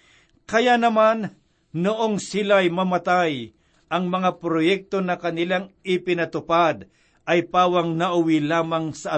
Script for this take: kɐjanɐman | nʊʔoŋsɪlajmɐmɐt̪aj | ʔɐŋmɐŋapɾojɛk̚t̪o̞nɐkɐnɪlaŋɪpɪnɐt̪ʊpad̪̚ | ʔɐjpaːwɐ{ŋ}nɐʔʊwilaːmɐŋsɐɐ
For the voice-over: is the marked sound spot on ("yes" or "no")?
yes